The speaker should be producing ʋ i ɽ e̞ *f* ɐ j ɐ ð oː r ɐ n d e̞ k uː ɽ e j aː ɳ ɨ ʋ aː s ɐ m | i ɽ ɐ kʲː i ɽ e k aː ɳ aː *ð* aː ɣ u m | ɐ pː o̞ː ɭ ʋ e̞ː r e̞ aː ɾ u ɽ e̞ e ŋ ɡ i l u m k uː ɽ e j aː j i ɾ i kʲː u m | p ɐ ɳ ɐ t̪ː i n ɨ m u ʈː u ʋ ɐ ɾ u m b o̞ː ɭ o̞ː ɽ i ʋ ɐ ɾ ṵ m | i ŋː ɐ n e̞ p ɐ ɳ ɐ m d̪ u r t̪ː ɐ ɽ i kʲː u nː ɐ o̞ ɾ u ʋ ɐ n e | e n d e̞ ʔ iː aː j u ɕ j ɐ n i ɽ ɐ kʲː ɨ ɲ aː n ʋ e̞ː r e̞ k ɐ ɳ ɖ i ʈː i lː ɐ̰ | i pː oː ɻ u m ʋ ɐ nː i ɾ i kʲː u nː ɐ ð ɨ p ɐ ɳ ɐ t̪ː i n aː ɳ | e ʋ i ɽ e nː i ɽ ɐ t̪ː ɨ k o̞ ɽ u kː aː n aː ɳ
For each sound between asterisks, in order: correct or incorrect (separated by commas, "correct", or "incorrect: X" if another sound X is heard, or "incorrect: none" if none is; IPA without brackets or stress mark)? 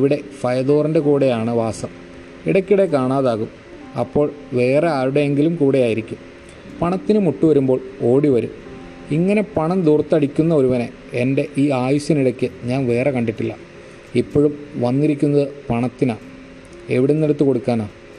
correct, correct